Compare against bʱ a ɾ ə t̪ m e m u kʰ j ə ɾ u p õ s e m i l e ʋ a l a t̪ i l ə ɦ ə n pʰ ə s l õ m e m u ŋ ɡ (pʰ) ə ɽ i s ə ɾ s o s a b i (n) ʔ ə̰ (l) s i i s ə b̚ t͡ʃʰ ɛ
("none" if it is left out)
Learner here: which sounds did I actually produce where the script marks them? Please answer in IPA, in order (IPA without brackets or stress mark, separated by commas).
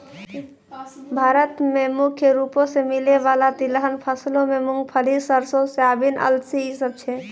pʰ, n, l